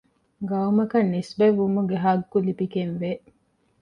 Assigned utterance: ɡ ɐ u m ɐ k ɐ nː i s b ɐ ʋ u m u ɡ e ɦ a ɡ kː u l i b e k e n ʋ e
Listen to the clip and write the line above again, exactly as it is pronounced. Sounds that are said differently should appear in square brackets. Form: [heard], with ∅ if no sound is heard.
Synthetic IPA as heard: ɡ ɐ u m ɐ k ɐ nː i s b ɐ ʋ u m u ɡ e ɦ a ɡ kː u l i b [i] k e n ʋ e